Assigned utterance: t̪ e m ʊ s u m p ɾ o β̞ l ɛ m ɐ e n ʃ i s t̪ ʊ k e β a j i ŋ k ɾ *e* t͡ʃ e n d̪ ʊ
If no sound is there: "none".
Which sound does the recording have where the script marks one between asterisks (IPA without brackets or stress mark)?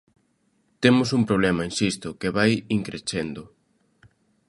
e